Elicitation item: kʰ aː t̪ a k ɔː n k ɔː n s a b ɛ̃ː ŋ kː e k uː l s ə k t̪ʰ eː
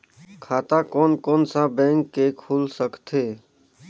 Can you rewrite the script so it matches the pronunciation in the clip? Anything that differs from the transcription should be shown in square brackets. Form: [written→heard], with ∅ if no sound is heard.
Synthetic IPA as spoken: kʰ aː t̪ a k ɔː n k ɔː n s a b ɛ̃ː ŋ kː e [k→kʰ] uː l s ə k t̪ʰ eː